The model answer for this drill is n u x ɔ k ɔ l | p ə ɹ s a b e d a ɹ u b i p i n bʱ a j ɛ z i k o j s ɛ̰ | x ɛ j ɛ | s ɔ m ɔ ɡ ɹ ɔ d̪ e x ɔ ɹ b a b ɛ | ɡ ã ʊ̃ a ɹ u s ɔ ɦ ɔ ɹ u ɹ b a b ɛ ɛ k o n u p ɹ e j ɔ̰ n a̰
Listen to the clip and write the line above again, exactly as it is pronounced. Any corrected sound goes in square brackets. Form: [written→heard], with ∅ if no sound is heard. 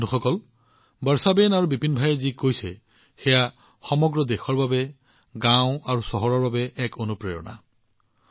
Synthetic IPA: n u x ɔ k ɔ l | [p→b] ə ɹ s a b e [d→n] a ɹ u b i p i n bʱ a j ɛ z i k o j s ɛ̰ | x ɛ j [ɛ→a] | [s→x] ɔ m ɔ ɡ ɹ ɔ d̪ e x ɔ ɹ b a b ɛ | ɡ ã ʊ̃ a ɹ u s ɔ ɦ ɔ ɹ [u→ɔ] ɹ b a b ɛ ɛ k o n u p ɹ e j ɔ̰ n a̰